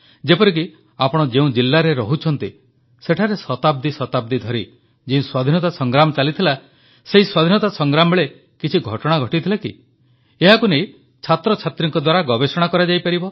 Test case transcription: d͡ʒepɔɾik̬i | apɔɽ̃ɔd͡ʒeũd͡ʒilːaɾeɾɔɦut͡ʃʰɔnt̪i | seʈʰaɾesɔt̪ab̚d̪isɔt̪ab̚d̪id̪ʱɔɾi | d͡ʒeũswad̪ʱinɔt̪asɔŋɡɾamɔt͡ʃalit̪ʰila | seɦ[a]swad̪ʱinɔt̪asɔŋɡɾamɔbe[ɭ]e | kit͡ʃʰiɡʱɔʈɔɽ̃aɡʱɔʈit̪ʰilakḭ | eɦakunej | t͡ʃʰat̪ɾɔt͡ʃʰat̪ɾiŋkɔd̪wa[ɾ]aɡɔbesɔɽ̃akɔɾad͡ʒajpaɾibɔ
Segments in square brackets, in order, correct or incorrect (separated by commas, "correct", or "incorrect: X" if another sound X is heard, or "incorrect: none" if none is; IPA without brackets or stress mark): incorrect: i, correct, correct